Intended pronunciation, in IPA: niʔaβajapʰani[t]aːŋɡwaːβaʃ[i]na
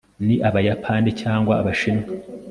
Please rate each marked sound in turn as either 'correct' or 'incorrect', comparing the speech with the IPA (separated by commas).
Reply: incorrect, correct